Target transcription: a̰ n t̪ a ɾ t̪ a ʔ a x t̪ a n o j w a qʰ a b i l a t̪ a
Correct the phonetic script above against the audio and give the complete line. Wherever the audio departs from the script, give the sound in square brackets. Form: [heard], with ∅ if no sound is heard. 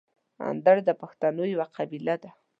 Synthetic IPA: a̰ n [d̪] a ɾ [d̪] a [p] a x t̪ a n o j w a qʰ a b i l a [d̪] a

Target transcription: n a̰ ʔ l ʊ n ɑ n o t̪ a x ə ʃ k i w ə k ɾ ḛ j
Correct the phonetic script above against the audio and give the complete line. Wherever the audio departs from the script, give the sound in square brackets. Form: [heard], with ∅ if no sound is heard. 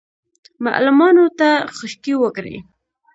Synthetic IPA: [m] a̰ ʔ l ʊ [m] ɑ n o t̪ a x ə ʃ k i w ə k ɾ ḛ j

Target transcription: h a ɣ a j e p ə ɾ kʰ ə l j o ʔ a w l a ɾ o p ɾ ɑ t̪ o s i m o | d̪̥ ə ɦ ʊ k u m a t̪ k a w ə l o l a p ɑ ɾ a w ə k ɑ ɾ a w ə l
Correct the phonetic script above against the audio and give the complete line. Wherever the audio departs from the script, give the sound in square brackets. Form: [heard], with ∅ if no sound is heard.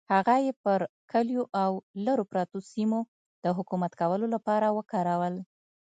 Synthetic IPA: h a ɣ a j e p ə ɾ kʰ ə l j o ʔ a w l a ɾ o p ɾ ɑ t̪ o s i m o | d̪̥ ə ɦ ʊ k u m a t̪ k a w ə l o l a p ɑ ɾ a w ə k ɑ ɾ a w ə l

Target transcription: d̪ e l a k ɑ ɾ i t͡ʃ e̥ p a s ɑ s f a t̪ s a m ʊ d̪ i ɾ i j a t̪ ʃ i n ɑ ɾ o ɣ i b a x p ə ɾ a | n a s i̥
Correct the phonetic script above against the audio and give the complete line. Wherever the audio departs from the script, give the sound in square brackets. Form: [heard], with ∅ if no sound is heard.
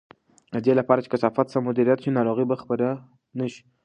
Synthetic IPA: d̪ e l a [p] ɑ ɾ [a] t͡ʃ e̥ [k] a s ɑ [∅] f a t̪ s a m ʊ d̪ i ɾ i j a t̪ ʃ i n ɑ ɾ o ɣ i b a x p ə ɾ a | n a [ʃ] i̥

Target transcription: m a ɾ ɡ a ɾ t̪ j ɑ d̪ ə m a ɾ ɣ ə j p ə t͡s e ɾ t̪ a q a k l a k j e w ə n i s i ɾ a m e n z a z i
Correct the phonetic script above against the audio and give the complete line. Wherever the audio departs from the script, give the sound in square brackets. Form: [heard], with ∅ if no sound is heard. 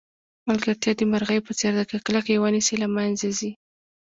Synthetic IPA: m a [l] ɡ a ɾ t̪ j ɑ d̪ ə m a ɾ ɣ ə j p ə t͡s e ɾ [d̪] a [k] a k l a k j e w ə n i s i [l] a m [a] n z a z i

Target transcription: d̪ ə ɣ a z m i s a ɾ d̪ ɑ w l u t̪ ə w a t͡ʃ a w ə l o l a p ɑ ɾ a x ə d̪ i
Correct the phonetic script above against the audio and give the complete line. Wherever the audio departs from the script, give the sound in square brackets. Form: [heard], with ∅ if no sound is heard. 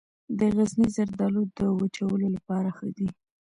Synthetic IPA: d̪ ə ɣ a z [n] i [z] a ɾ d̪ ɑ [∅] l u [d̪] ə w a t͡ʃ a w ə l o l a p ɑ ɾ a x ə d̪ i

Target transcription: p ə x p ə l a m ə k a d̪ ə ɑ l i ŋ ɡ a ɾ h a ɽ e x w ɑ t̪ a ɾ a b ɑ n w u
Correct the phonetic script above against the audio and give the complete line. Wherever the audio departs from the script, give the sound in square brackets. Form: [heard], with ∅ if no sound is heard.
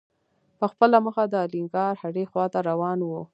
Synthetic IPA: p ə x p ə l a m ə [x] a d̪ ə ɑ l i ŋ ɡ [ɑ] ɾ h a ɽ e x w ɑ t̪ a ɾ a [w] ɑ n w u

